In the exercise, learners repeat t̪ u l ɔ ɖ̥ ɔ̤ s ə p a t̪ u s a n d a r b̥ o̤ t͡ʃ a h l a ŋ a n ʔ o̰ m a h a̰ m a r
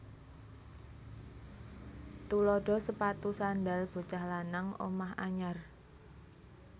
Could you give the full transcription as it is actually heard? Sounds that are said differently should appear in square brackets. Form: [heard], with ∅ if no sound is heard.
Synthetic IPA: t̪ u l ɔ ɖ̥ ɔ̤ s ə p a t̪ u s a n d a [l] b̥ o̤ t͡ʃ a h l a [n] a [ŋ] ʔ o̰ m a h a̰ [ɲ] a r